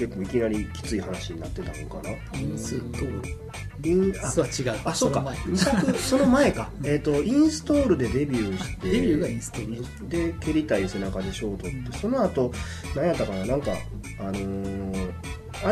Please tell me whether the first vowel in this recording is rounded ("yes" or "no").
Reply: no